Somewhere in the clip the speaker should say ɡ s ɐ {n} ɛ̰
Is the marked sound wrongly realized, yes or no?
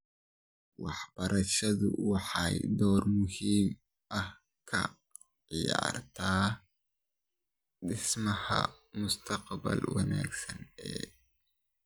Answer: no